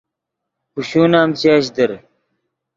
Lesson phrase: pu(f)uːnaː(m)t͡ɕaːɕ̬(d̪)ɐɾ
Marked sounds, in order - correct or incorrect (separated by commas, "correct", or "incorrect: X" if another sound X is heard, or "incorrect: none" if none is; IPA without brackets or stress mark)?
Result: incorrect: ɕ, correct, correct